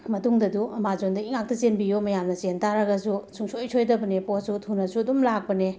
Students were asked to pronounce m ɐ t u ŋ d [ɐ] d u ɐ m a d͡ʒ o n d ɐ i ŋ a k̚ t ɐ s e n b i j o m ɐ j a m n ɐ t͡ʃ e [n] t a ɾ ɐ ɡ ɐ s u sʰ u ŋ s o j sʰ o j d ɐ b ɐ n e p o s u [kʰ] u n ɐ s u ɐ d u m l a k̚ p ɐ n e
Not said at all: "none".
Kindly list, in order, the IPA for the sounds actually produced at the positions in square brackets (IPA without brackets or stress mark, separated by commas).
ɐ, n, tʰ